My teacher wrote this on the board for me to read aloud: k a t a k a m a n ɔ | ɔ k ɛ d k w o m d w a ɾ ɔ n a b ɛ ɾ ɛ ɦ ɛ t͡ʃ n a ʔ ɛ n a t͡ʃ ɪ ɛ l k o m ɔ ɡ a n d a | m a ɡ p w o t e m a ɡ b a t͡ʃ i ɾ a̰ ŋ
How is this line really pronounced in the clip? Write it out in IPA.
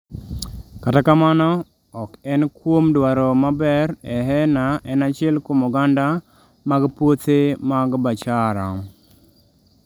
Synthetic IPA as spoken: k a t a k a m a n ɔ | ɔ k ɛ n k w o m d w a ɾ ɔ m a b ɛ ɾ ɛ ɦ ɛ n a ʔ ɛ n a t͡ʃ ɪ ɛ l k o m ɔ ɡ a n d a | m a ɡ p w o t e m a ɡ b a t͡ʃ a ɾ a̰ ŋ

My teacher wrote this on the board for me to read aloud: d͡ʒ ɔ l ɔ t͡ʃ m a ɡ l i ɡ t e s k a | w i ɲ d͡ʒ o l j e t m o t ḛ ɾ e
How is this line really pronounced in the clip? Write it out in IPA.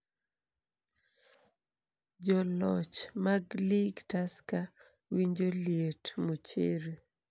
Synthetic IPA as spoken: d͡ʒ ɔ l ɔ t͡ʃ m a ɡ l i ɡ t a s k a | w i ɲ d͡ʒ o l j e t m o t͡ʃ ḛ ɾ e

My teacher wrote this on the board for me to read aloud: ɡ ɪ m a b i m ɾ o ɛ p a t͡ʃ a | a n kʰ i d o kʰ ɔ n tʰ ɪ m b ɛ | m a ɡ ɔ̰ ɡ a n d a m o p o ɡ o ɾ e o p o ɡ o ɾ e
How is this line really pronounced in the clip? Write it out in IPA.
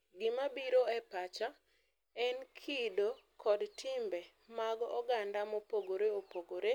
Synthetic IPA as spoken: ɡ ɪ m a b i ɾ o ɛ p a t͡ʃ a | ɛ n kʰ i d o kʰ ɔ d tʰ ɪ m b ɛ | m a ɡ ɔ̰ ɡ a n d a m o p o ɡ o ɾ e o p o ɡ o ɾ e

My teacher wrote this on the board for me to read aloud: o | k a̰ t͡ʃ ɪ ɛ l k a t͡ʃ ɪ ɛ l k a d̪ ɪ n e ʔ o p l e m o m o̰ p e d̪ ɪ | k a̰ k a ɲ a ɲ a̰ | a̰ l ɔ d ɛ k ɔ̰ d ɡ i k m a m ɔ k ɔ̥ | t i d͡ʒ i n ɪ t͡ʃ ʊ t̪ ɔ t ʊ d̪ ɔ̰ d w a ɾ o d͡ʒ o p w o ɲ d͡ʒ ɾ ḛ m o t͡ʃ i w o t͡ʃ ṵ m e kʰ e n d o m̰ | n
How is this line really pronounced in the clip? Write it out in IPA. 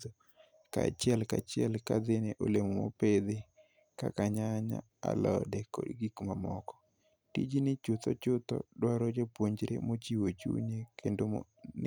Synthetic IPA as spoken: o | k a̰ t͡ʃ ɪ ɛ l k a t͡ʃ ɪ ɛ l k a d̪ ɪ n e ʔ o l e m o m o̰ p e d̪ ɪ | k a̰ k a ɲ a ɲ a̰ | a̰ l ɔ d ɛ k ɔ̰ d ɡ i k m a m ɔ k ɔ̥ | t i d͡ʒ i n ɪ t͡ʃ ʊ t̪ ɔ t͡ʃ ʊ t̪ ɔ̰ d w a ɾ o d͡ʒ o p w o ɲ d͡ʒ ɾ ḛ m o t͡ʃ i w o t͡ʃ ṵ ɲ e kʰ e n d o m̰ | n

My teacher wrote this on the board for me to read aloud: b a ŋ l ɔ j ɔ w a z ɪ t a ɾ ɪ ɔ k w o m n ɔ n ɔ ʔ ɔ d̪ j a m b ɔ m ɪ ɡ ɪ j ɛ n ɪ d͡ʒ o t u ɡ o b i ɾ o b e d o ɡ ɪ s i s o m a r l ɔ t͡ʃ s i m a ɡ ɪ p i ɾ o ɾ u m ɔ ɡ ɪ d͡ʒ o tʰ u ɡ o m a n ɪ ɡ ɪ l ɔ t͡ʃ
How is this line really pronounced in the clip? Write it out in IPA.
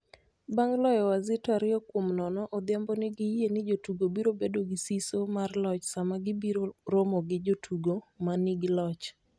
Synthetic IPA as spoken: b a ŋ l ɔ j ɔ w a z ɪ t a ɾ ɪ ɔ k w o m n ɔ n ɔ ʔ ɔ d̪ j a m b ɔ n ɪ ɡ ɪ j e n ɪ d͡ʒ o t u ɡ o b i ɾ o b e d o ɡ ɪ s i s o m a r l ɔ t͡ʃ s a m a ɡ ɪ b i ɾ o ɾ o m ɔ ɡ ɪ d͡ʒ o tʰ u ɡ o m a n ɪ ɡ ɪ l ɔ t͡ʃ

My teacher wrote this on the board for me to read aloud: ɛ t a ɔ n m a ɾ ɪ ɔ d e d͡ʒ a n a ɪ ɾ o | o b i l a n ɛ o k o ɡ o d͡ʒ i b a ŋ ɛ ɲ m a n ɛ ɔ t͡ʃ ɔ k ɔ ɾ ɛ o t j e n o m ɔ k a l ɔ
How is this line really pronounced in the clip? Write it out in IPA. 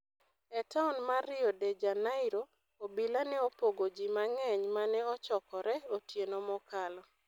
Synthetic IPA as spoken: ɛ t a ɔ n m a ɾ ɪ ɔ d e d͡ʒ a n a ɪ ɾ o | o b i l a n ɛ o p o ɡ o d͡ʒ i m a ŋ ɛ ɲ m a n ɛ ɔ t͡ʃ ɔ k ɔ ɾ ɛ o t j e n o m ɔ k a l ɔ

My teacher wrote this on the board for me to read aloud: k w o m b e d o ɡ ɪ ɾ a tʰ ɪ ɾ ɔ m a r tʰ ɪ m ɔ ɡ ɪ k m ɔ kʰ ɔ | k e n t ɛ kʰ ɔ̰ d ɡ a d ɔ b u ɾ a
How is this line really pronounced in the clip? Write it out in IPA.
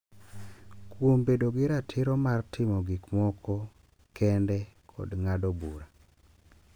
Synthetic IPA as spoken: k w o m b e d o ɡ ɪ ɾ a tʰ ɪ ɾ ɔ m a r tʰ ɪ m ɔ ɡ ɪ k m ɔ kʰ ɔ | k ɛ n d ɛ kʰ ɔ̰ d ŋ a d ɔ b u ɾ a

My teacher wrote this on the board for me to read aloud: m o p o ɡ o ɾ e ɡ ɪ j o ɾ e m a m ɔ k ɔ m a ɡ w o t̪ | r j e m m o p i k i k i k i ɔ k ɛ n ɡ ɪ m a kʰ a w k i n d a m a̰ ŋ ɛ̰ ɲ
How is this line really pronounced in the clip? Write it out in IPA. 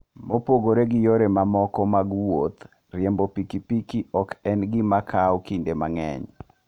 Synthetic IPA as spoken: m o p o ɡ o ɾ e ɡ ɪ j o ɾ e m a m ɔ k ɔ m a ɡ w o t̪ | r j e m b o p i k i p i k i ɔ k ɛ n ɡ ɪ m a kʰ a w k i n d e m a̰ ŋ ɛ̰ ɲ

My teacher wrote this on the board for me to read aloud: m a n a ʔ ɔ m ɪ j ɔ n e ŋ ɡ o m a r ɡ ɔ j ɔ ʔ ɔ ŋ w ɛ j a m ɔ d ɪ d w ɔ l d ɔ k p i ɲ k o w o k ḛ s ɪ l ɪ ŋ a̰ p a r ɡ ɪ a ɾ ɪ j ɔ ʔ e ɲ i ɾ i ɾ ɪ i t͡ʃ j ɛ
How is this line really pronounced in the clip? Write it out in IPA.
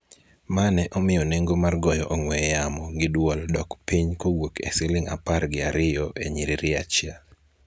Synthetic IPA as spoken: m a n ɛ ʔ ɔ m ɪ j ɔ n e ŋ ɡ o m a r ɡ ɔ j ɔ ʔ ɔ ŋ w ɛ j a m ɔ ɡ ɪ d w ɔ l d ɔ k p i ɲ k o w o k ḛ s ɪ l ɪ ŋ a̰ p a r ɡ ɪ a ɾ ɪ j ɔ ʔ e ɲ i ɾ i ɾ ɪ a t͡ʃ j a

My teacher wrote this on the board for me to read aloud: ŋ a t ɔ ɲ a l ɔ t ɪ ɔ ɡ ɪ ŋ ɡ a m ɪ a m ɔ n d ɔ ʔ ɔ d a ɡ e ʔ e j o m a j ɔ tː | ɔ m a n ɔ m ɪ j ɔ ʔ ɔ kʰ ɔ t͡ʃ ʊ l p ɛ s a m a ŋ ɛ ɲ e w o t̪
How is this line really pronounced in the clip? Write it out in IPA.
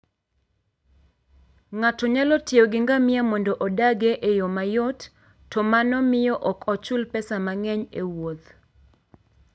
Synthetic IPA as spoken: ŋ a t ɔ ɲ a l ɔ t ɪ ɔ ɡ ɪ ŋ ɡ a m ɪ a m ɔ n d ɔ ʔ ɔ d a ɡ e ʔ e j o m a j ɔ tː | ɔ m a n ɔ m ɪ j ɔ ʔ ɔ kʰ ɔ t͡ʃ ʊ l p ɛ s a m a ŋ ɛ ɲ e w o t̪

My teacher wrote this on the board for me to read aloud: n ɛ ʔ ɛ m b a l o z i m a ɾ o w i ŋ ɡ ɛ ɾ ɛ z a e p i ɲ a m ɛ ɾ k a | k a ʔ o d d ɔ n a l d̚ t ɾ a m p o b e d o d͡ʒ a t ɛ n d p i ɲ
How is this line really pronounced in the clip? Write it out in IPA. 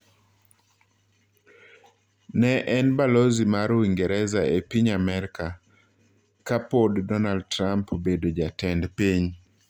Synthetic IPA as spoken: n ɛ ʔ ɛ n b a l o z i m a ɾ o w i ŋ ɡ ɛ ɾ ɛ z a e p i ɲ a m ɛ ɾ k a | k a p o d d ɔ n a l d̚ t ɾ a m p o b e d o d͡ʒ a t ɛ n d p i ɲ

